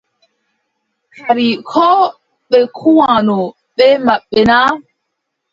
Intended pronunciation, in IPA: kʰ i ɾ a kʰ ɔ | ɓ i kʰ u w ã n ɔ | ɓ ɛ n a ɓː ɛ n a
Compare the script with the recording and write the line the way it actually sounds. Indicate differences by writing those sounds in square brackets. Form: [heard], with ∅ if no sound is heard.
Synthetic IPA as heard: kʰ [a] ɾ [i] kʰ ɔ | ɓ [ɛ] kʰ u w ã n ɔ | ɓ ɛ [m] a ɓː ɛ n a